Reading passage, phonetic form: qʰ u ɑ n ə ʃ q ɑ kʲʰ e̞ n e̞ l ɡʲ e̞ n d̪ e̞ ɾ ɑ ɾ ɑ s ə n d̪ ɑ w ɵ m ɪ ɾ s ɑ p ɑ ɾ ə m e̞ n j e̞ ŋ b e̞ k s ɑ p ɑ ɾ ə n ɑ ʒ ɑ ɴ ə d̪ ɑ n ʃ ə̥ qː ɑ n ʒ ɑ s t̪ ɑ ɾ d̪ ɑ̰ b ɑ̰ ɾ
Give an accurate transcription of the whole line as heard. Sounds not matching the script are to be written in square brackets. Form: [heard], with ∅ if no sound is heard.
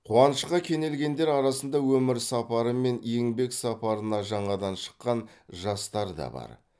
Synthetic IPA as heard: qʰ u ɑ n ə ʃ q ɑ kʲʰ e̞ n e̞ l ɡʲ e̞ n d̪ e̞ ɾ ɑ ɾ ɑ s ə n d̪ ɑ w ɵ m ɪ ɾ s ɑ p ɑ ɾ ə m e̞ n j e̞ ŋ b e̞ k s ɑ p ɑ ɾ ə n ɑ ʒ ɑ ɴ [ɑ] d̪ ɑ n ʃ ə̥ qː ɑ n ʒ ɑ s t̪ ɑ ɾ d̪ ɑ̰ b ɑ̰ ɾ

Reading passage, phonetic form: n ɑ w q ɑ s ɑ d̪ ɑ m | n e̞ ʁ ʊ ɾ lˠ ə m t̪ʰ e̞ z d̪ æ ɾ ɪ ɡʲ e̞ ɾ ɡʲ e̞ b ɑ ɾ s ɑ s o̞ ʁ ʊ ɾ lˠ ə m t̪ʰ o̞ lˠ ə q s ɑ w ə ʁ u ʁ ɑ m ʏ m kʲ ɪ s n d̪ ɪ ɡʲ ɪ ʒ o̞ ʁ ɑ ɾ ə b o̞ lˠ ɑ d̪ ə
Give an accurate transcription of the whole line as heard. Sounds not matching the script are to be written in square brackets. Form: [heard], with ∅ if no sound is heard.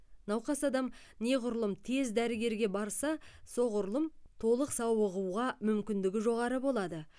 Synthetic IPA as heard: n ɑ w q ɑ s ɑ d̪ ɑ m | n e̞ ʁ ʊ ɾ lˠ ə m t̪ʰ e̞ z d̪ æ ɾ ɪ ɡʲ e̞ ɾ ɡʲ e̞ b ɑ ɾ s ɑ s o̞ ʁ ʊ ɾ lˠ ə m t̪ʰ o̞ lˠ ə q s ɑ w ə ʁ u ʁ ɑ m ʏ m kʲ ɪ [∅] n d̪ ɪ ɡʲ ɪ ʒ o̞ ʁ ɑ ɾ ə b o̞ lˠ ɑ d̪ ə

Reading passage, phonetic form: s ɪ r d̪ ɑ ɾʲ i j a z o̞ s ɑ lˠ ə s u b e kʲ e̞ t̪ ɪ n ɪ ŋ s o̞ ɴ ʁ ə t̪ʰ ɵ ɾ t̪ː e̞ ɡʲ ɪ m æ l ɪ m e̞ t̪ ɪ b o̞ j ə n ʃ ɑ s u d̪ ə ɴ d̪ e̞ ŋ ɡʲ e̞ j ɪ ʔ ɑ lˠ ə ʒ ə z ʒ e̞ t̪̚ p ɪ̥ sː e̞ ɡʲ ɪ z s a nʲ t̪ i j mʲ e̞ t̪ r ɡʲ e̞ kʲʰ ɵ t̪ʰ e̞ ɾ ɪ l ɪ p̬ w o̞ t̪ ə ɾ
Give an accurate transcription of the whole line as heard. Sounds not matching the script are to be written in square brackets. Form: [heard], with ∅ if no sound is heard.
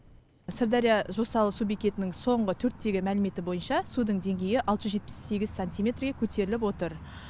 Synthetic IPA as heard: s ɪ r d̪ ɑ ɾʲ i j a [ʒ] o̞ s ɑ lˠ ə s u b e kʲ e̞ t̪ ɪ n ɪ ŋ s o̞ ɴ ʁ ə t̪ʰ ɵ ɾ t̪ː e̞ ɡʲ ɪ m æ l ɪ m e̞ t̪ ɪ b o̞ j ə n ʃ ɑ s u d̪ ə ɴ d̪ e̞ ŋ ɡʲ e̞ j ɪ ʔ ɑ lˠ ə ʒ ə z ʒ e̞ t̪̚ p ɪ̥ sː e̞ ɡʲ ɪ z s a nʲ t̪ i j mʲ e̞ t̪ r ɡʲ e̞ kʲʰ ɵ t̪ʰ e̞ ɾ ɪ l ɪ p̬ w o̞ t̪ ə ɾ

